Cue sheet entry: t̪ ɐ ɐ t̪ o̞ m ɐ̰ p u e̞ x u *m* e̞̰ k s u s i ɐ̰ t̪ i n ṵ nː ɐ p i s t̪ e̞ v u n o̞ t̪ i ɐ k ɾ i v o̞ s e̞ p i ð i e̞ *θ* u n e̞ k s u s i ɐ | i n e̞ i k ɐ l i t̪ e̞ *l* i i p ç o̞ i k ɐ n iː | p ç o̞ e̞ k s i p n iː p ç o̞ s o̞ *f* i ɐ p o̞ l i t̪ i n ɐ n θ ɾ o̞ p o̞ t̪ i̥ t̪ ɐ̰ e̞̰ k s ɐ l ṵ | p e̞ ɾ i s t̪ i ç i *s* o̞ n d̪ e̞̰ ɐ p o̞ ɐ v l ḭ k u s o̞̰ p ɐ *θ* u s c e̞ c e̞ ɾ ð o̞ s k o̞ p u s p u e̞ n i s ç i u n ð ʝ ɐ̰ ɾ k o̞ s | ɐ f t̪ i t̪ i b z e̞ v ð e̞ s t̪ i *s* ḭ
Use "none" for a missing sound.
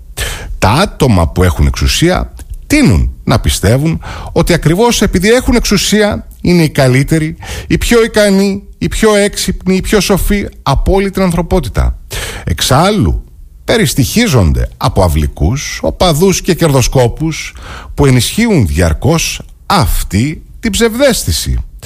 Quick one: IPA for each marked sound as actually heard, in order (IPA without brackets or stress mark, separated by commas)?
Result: n, x, ɾ, f, z, ð, s